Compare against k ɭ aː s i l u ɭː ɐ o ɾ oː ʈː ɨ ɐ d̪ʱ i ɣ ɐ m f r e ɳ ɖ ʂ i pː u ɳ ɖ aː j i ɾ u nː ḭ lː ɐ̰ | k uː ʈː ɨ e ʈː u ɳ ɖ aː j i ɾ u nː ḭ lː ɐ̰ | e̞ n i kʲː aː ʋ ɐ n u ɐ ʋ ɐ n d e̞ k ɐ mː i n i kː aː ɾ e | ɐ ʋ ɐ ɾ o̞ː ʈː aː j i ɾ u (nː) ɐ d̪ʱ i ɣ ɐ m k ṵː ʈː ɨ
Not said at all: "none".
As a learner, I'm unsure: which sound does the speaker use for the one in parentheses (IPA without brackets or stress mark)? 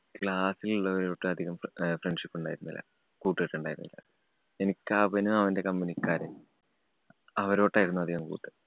nː